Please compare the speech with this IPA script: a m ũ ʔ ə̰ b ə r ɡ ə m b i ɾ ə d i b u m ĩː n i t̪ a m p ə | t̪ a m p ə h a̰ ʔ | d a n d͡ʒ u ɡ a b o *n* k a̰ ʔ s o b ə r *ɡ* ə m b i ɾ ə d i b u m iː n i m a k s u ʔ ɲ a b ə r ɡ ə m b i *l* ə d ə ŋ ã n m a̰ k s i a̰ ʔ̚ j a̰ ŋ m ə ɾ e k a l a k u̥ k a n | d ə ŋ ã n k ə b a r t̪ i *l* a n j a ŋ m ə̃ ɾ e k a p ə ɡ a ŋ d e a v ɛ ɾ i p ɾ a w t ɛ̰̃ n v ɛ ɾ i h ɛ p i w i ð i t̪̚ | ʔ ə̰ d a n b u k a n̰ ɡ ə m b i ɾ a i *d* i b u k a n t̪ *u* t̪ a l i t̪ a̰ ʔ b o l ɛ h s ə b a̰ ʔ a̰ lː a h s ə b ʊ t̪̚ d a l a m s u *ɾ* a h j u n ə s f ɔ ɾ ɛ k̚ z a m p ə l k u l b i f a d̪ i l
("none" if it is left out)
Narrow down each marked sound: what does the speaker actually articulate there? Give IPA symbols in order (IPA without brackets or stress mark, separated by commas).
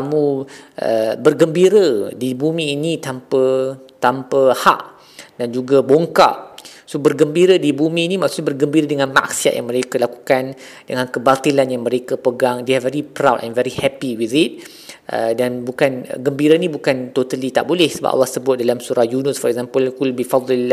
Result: ŋ, ɡ, ɾ, l, n, o, ɾ